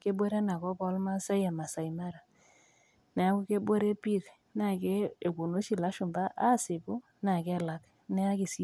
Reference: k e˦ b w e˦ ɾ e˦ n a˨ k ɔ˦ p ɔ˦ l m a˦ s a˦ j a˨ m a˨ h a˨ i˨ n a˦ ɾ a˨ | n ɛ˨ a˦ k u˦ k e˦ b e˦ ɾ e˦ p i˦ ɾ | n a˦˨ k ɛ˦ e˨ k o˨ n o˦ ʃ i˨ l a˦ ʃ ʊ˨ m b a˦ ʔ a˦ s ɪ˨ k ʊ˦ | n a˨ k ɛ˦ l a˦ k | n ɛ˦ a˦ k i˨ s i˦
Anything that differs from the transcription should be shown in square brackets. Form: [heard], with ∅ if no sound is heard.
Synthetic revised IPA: k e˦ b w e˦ ɾ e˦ n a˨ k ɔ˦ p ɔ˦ l m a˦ s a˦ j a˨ m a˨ [s] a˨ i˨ [m] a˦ ɾ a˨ | n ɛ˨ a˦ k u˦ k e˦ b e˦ ɾ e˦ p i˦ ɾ | n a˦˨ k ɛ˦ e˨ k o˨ n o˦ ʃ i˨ l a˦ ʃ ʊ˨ m b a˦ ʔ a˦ s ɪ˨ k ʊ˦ | n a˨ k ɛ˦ l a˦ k | n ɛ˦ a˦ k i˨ s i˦

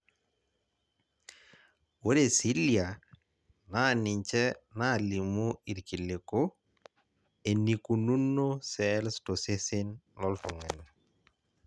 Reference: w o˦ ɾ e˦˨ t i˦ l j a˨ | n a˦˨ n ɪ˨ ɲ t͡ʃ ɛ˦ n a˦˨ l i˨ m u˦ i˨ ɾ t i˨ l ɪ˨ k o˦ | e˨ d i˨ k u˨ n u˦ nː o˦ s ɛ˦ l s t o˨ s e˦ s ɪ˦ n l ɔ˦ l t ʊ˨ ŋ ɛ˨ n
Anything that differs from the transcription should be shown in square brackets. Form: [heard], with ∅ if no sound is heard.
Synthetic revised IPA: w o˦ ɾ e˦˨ [s] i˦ l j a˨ | n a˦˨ n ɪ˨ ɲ t͡ʃ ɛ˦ n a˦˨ l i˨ m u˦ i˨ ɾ [k] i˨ l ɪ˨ k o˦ | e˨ [n] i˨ k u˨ n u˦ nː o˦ s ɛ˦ l s t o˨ s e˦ s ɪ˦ n l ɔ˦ l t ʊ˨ ŋ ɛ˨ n

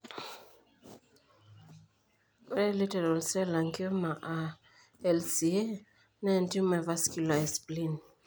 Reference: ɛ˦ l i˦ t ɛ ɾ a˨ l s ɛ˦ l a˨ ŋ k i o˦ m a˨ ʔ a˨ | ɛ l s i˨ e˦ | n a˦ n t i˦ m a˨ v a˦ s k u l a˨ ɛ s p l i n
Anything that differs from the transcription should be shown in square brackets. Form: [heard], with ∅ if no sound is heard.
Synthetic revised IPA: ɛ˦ l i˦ t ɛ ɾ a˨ l s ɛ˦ l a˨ ŋ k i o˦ m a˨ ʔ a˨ | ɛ l s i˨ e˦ | n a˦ n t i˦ m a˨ v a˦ s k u l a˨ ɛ s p l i n

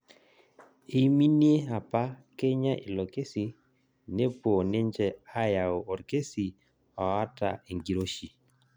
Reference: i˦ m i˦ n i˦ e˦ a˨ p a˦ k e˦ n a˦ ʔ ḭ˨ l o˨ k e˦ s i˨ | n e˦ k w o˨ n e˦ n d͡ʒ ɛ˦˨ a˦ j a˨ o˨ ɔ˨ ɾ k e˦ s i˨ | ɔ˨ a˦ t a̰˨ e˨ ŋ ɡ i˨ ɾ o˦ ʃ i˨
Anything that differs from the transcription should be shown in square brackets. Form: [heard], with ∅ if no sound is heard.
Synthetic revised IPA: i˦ m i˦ n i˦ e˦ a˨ p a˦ k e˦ [ɲ] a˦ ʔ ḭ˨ l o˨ k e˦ s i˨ | n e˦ [p] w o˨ n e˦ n d͡ʒ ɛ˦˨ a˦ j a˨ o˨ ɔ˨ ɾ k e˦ s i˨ | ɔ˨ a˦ t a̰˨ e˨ ŋ ɡ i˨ ɾ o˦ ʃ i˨

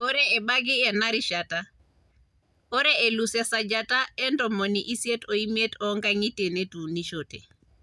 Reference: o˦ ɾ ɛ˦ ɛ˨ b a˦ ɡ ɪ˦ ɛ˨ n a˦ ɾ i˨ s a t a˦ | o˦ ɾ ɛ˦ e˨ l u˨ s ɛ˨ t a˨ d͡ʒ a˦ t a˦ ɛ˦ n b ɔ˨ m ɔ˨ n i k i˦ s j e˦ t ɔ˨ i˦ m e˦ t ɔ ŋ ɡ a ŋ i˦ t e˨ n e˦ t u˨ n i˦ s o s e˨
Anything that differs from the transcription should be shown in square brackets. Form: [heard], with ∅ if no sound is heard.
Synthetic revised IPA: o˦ ɾ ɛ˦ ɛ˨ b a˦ ɡ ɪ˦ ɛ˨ n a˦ ɾ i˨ [ʃ] a t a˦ | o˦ ɾ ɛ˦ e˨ l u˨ s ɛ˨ [s] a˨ d͡ʒ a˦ t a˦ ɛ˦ n [d] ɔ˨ m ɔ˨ n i [ʔ] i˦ s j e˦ t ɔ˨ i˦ m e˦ t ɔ ŋ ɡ a ŋ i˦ t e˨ n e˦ t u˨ n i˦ [ʃ] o [t] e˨

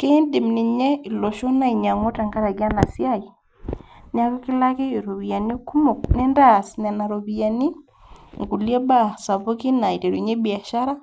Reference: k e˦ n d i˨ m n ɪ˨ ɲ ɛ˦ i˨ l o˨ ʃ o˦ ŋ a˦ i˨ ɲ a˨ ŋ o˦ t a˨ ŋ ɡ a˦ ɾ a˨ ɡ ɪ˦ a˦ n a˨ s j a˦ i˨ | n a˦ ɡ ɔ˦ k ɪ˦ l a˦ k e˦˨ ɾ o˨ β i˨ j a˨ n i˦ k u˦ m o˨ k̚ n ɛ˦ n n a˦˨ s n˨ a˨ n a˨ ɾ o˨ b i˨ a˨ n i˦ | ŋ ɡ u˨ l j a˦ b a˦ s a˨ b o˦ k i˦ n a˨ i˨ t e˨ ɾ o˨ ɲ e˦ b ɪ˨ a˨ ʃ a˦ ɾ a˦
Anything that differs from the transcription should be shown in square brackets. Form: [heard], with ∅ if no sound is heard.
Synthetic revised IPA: k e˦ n d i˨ m n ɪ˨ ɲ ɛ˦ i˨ l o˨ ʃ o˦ [n] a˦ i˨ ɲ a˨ ŋ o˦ t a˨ ŋ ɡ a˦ ɾ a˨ ɡ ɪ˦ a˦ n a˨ s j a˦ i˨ | n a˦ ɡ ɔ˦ k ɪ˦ l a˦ k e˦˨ ɾ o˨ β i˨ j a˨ n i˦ k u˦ m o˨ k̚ n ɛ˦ n [d] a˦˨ s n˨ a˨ n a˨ ɾ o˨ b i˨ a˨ n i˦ | ŋ ɡ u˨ l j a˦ b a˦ s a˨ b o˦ k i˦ n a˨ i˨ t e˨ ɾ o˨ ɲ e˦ b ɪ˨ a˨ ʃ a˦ ɾ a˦

